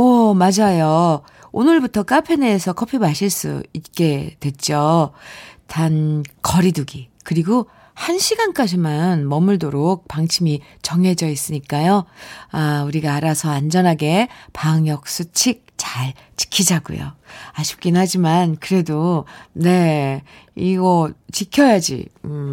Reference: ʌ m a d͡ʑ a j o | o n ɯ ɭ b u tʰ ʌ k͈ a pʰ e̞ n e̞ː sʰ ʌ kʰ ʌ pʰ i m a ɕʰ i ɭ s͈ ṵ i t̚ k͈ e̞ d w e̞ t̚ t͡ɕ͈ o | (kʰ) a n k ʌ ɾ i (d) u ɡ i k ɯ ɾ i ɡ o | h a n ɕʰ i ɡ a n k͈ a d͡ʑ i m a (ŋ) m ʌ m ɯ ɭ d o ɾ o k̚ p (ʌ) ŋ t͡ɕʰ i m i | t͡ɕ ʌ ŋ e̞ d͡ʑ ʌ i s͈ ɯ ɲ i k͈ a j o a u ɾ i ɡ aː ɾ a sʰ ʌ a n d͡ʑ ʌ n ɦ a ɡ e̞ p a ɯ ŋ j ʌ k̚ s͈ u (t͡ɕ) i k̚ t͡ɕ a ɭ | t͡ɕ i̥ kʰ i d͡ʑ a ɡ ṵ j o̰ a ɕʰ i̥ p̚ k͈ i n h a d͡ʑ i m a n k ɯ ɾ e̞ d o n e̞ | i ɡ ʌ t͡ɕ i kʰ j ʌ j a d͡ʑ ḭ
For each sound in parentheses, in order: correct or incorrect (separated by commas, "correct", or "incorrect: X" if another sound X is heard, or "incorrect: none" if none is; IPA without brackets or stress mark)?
incorrect: tʰ, correct, incorrect: n, incorrect: a, incorrect: t͡ɕʰ